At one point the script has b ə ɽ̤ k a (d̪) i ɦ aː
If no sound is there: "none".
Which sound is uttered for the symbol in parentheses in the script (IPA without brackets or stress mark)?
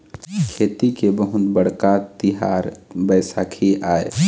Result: t̪